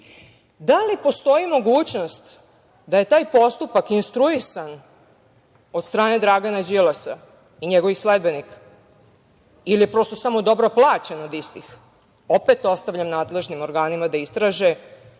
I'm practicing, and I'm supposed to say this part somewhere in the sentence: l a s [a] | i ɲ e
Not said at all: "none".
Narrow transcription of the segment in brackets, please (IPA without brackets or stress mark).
a